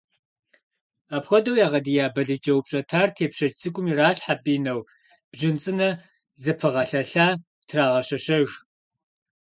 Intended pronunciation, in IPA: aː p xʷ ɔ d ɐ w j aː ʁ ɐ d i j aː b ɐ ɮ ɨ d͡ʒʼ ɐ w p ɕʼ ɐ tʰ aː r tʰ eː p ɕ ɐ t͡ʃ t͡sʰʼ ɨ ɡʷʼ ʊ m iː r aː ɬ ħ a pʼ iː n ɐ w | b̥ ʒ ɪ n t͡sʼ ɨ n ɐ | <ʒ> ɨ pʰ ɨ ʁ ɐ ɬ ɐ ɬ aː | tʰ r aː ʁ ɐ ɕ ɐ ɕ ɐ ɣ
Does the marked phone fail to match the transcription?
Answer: yes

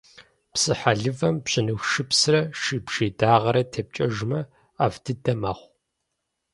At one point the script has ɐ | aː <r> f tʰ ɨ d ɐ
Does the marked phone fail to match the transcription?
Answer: yes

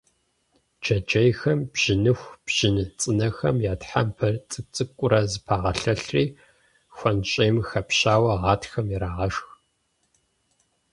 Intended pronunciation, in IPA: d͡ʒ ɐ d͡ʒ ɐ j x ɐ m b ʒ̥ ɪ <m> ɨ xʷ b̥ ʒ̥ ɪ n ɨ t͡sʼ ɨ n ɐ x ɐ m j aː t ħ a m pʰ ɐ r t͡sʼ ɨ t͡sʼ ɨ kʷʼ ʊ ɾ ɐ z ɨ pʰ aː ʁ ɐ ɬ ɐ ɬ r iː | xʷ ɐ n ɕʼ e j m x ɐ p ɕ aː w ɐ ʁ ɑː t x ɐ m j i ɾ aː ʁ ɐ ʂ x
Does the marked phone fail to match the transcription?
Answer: yes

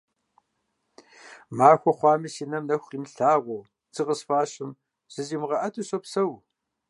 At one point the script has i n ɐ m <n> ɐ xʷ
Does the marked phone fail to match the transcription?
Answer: no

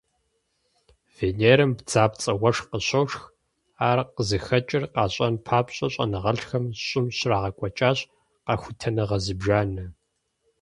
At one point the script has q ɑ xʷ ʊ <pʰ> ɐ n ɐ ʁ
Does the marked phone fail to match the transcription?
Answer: yes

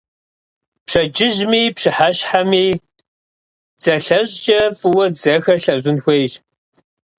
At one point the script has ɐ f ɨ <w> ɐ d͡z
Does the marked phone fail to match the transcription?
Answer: no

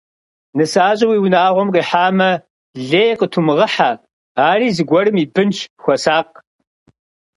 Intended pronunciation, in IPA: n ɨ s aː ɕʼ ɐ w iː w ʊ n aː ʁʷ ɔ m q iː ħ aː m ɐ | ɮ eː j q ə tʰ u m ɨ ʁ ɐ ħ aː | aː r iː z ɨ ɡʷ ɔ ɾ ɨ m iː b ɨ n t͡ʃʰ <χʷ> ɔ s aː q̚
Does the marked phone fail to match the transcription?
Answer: yes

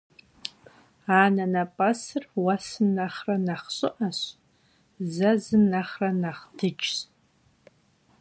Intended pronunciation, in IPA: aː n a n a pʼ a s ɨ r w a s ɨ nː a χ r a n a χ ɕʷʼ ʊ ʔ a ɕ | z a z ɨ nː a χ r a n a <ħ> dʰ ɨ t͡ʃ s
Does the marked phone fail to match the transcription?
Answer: yes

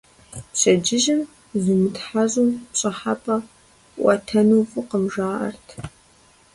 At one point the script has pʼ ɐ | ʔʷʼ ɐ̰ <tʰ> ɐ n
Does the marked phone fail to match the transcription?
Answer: no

